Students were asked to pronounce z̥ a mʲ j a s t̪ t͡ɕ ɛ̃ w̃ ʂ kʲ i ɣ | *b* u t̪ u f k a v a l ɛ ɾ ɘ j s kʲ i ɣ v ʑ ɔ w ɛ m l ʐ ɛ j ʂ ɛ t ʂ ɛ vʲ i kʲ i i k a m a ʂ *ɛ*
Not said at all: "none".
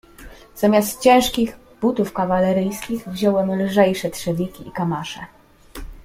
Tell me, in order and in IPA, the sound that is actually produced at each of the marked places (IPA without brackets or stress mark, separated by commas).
b, ɛ